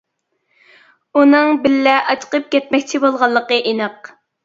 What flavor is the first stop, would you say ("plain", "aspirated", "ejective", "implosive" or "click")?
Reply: plain